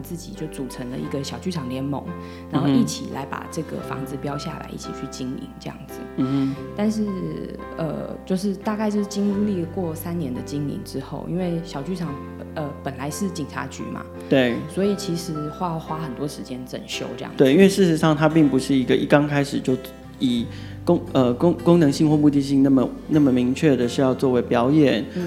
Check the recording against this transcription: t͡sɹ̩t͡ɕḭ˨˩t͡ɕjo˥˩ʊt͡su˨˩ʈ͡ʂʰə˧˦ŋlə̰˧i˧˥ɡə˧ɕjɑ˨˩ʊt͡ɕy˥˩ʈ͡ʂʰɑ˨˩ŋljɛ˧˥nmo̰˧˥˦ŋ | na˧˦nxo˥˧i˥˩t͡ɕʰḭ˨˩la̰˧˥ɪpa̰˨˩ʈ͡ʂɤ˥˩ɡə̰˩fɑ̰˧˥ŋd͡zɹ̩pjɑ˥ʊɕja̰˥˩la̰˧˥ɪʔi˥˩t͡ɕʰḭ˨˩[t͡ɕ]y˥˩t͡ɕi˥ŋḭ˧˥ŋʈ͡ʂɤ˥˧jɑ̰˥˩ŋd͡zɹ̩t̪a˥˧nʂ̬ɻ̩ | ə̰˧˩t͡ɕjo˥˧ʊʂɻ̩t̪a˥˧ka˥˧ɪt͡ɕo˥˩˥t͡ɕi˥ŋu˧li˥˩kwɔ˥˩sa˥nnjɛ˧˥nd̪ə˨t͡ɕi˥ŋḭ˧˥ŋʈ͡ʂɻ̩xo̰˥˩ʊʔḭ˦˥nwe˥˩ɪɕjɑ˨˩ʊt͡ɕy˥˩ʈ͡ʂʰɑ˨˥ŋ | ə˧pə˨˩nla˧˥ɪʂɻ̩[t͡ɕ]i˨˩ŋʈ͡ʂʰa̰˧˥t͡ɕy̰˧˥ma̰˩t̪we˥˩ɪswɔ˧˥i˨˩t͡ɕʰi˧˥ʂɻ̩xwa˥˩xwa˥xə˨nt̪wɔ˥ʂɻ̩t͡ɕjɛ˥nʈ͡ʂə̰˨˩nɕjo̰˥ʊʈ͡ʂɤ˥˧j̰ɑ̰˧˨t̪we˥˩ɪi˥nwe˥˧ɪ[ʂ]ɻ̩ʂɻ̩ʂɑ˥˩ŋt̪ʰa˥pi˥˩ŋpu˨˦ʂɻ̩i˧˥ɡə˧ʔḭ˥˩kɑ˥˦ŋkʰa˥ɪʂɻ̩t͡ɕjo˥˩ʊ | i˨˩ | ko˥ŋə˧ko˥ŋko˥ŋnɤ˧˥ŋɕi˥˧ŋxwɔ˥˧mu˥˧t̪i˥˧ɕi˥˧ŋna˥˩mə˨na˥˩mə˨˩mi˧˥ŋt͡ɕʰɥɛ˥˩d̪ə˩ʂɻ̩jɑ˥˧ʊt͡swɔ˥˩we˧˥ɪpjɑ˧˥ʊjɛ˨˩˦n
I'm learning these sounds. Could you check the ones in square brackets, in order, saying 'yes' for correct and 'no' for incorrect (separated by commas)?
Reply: no, yes, yes